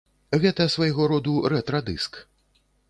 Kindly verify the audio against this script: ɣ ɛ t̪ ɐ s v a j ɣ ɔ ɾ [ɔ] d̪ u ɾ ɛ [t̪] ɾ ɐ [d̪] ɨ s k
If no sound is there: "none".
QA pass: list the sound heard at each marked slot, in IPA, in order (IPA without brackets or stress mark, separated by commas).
ɔ, t̪, d̪